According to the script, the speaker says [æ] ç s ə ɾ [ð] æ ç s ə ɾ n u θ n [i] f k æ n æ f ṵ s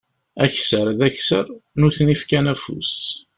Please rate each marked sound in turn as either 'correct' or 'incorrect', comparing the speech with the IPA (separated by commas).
correct, correct, correct